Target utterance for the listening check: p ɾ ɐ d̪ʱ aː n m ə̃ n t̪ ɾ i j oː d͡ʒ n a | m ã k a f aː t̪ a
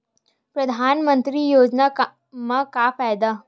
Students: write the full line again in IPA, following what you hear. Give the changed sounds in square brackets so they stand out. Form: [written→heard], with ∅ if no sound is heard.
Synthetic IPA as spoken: p ɾ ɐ d̪ʱ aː n m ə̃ n t̪ ɾ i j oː d͡ʒ n a | m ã k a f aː [t̪→d̪] a